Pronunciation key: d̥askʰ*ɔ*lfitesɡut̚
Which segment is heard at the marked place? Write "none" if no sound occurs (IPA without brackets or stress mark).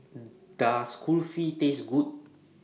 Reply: u